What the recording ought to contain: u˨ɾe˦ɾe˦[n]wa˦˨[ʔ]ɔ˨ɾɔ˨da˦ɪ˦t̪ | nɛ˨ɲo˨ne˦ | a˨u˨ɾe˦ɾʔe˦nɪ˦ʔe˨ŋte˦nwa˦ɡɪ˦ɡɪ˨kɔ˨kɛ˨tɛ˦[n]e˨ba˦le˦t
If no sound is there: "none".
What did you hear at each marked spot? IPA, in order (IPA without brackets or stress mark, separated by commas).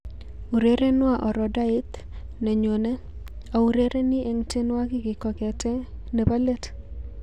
n, ʔ, n